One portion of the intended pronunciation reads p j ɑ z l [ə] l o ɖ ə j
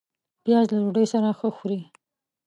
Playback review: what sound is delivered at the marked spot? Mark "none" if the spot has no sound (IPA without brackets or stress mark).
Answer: a